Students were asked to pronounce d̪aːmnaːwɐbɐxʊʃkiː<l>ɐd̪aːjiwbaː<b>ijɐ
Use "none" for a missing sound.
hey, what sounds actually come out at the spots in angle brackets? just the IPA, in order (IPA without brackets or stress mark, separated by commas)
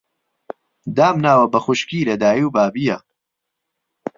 l, b